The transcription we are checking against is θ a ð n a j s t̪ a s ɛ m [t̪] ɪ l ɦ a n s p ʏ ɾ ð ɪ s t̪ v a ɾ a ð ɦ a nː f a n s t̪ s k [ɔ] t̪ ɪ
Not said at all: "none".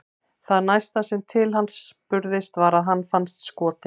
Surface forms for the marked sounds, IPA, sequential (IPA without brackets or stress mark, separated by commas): t̪ʰ, ɔː